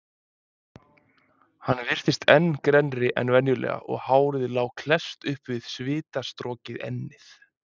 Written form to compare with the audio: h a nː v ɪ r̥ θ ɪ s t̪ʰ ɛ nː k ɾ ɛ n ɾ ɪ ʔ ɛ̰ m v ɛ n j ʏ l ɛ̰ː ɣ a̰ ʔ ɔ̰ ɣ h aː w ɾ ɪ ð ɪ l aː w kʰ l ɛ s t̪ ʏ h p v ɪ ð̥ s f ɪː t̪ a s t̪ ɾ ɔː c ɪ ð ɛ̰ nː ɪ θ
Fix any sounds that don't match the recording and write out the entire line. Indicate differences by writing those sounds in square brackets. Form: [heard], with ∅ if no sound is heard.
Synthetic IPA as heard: h a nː v ɪ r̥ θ ɪ s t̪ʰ ɛ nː k ɾ ɛ n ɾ ɪ ʔ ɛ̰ [n] v ɛ n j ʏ l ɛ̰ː ɣ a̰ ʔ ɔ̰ ɣ h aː w ɾ ɪ ð ɪ l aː w kʰ l ɛ s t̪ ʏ h p v ɪ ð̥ s [v] ɪː t̪ a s t̪ ɾ ɔː c ɪ ð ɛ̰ nː ɪ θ